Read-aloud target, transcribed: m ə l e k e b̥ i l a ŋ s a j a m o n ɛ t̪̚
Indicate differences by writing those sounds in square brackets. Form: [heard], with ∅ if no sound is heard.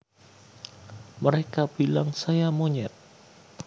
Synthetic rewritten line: m ə [ɾ] e k [a] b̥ i l a ŋ s a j a m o [ɲ] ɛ t̪̚